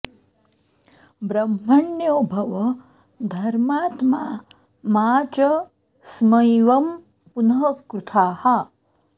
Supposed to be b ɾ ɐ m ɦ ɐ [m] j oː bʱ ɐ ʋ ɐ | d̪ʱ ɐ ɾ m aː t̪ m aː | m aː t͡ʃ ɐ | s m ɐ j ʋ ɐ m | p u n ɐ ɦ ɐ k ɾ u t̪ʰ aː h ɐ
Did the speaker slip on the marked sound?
yes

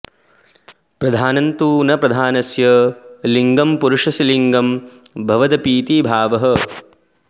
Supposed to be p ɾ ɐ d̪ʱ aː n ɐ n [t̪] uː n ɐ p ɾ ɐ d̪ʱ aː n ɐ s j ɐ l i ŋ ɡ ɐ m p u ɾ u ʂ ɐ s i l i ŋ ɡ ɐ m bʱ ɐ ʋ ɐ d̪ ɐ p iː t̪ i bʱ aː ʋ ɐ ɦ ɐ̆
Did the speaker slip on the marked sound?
no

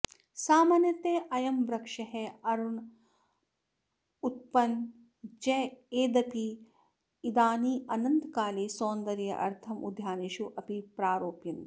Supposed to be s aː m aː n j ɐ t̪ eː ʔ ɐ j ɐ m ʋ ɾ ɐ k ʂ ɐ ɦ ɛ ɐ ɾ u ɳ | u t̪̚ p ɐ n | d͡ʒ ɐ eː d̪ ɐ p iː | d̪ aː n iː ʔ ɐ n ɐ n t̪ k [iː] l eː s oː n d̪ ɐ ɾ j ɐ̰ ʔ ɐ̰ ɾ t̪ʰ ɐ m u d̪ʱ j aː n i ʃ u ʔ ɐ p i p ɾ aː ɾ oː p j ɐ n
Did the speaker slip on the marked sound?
yes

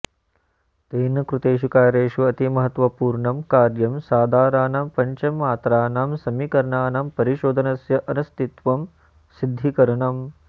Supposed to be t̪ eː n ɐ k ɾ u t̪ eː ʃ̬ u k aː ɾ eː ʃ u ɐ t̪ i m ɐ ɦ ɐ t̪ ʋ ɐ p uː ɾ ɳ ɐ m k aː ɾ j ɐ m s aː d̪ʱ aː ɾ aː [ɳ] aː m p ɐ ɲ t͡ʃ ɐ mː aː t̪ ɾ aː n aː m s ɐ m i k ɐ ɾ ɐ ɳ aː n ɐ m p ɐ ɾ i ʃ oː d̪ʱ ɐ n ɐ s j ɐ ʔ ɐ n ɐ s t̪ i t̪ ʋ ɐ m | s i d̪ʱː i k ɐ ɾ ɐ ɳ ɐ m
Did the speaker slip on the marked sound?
yes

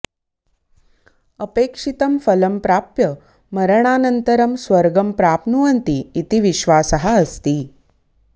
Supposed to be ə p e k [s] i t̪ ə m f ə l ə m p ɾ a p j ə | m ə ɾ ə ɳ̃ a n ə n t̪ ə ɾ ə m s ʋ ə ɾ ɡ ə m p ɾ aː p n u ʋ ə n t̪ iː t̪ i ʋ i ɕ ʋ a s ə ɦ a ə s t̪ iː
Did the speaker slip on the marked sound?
yes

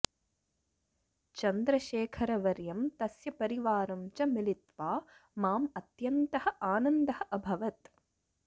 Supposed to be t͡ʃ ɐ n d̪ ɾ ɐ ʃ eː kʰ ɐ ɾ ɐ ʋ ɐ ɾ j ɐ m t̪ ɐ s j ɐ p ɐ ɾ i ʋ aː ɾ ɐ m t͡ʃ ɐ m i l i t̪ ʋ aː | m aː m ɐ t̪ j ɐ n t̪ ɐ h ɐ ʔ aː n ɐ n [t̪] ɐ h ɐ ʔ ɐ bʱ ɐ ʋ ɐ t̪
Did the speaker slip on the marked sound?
yes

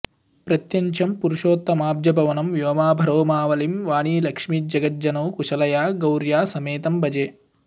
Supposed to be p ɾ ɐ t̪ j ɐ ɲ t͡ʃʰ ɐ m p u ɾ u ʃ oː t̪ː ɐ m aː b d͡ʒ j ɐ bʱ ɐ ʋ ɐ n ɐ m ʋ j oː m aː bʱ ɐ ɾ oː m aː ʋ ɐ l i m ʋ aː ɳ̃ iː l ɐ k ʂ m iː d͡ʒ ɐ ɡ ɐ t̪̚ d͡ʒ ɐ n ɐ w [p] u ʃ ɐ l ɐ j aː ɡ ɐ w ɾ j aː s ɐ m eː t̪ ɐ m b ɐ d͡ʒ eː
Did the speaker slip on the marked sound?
yes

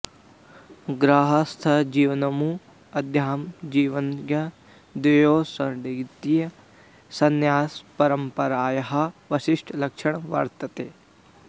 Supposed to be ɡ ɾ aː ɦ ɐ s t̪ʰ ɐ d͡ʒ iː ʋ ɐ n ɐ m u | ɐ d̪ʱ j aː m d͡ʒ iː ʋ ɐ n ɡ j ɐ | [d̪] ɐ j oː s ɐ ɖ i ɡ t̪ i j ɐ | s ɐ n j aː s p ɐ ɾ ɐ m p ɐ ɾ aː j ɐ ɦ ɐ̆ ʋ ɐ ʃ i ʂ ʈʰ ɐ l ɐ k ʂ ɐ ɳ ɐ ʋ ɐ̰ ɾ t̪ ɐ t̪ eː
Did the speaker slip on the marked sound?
no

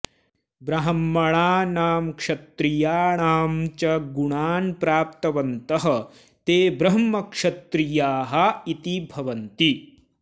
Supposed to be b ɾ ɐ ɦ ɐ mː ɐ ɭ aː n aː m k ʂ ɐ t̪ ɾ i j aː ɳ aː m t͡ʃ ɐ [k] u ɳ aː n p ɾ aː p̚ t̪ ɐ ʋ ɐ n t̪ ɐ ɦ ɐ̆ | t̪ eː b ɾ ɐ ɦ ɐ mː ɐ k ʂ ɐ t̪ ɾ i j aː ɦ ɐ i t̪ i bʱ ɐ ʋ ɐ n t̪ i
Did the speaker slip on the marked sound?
yes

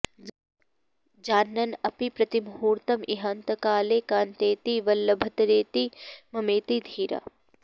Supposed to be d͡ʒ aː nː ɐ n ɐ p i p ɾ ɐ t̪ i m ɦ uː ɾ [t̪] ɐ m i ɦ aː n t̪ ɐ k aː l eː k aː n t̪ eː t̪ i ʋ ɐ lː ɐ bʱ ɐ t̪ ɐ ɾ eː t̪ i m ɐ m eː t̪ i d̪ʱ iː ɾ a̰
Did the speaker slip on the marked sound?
no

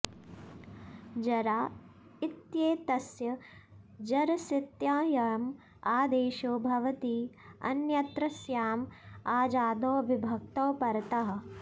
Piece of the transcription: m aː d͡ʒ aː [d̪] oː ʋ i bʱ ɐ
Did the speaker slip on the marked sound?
no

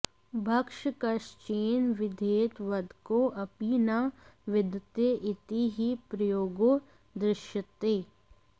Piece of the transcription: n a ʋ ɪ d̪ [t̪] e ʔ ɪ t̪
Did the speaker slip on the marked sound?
no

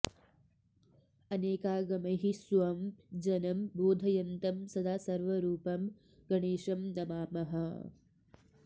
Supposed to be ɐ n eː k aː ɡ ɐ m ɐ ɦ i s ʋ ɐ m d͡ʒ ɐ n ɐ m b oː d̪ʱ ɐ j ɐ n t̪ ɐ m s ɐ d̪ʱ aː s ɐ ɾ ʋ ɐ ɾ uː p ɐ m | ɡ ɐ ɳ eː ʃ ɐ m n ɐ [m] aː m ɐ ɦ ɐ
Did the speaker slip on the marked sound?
no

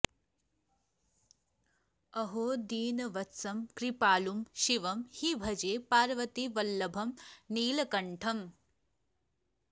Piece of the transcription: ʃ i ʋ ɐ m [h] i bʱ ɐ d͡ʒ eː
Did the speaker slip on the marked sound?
no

